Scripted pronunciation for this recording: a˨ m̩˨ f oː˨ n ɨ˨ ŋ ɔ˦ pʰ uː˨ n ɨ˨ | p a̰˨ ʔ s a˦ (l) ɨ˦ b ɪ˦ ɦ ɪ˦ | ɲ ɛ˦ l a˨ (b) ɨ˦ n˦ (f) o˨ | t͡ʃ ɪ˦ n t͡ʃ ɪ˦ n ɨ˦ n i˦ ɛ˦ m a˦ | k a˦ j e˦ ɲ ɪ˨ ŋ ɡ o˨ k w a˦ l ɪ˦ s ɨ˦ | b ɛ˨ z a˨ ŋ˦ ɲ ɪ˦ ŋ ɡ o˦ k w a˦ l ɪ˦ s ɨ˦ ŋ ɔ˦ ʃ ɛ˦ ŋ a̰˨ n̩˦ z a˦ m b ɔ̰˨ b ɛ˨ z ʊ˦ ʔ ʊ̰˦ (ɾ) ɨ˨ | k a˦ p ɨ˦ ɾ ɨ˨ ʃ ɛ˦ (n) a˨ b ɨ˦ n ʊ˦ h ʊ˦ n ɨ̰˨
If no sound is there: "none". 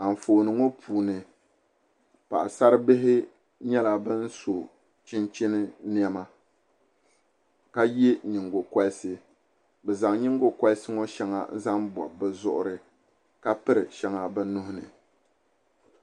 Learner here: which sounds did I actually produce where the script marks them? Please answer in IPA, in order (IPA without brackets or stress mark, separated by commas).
ɾ, b, s, ɾ, ŋ